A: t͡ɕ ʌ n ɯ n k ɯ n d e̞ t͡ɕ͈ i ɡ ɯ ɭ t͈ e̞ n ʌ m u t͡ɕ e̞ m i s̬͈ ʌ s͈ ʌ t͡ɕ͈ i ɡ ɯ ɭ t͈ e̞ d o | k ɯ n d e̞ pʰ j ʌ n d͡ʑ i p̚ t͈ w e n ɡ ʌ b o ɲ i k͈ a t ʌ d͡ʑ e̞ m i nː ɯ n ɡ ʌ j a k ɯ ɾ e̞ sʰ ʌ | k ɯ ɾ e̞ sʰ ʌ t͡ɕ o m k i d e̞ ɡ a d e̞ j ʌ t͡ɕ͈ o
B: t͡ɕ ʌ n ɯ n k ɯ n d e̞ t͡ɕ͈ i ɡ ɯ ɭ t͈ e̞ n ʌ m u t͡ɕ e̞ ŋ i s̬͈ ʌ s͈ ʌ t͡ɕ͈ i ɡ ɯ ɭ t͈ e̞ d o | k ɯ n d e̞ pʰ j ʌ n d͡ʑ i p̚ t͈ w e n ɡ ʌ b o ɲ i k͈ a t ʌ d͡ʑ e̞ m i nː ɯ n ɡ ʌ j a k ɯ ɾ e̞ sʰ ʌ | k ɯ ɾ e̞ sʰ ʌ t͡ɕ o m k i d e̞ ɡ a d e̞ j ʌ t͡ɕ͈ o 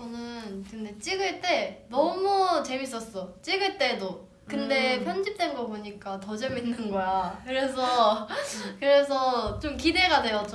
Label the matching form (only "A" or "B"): A